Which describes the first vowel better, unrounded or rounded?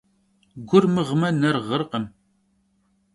rounded